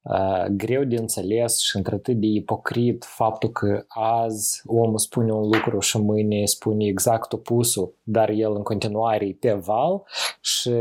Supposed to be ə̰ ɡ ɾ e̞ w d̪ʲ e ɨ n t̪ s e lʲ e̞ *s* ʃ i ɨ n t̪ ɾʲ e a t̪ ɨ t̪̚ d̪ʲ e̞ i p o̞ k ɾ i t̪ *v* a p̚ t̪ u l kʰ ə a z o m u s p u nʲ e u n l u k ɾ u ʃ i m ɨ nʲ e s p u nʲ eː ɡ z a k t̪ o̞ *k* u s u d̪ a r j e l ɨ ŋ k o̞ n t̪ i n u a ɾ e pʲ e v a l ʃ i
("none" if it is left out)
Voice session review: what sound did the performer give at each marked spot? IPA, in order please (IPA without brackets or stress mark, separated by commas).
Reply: s, f, p